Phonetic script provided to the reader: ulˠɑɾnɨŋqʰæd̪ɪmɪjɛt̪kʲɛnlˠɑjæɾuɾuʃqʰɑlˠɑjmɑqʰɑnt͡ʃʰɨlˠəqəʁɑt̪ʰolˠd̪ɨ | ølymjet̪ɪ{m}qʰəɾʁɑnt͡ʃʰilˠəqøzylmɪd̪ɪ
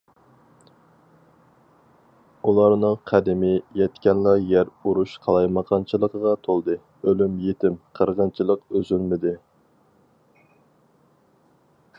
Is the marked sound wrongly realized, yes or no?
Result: no